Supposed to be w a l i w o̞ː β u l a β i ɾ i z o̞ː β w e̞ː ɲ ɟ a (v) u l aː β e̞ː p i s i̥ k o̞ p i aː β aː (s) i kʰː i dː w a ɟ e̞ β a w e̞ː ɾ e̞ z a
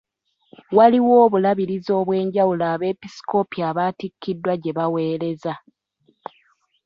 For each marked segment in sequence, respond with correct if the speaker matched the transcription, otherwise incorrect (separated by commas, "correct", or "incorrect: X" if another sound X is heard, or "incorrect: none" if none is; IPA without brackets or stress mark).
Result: incorrect: w, incorrect: t